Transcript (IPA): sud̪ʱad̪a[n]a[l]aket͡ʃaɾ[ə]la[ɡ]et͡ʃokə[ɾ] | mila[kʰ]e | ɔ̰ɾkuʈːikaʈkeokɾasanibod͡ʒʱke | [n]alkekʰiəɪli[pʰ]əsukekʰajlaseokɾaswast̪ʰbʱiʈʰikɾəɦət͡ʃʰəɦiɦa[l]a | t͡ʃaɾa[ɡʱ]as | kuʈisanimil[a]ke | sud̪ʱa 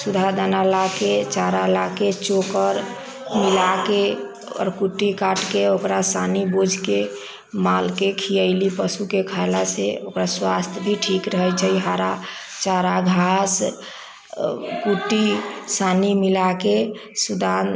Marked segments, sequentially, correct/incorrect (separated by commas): correct, correct, incorrect, incorrect, correct, incorrect, incorrect, incorrect, incorrect, correct, correct